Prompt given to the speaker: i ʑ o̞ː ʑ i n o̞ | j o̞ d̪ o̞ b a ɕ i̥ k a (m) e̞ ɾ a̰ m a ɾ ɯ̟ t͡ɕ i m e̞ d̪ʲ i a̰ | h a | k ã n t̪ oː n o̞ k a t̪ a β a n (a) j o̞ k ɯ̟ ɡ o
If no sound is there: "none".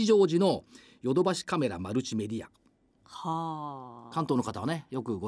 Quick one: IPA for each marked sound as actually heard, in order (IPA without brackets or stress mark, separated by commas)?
m, e